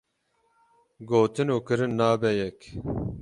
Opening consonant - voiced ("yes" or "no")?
yes